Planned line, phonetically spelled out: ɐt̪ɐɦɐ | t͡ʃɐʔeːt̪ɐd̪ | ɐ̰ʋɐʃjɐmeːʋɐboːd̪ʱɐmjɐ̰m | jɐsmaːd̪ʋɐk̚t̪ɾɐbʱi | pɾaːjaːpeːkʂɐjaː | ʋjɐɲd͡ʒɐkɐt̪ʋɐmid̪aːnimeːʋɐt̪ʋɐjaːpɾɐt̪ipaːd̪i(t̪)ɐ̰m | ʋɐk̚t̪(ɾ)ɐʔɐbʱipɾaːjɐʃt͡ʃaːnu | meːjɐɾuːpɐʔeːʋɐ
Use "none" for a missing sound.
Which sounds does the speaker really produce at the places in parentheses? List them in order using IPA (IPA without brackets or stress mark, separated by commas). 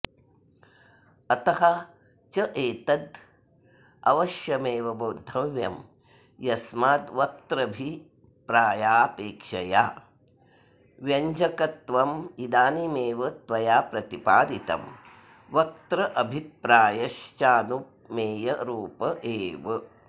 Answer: t̪, ɾ